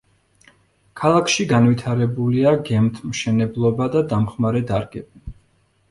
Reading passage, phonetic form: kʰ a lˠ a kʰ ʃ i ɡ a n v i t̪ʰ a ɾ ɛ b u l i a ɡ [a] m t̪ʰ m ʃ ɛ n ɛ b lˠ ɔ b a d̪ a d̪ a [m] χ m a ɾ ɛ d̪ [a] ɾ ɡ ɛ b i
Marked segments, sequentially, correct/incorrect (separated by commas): incorrect, correct, correct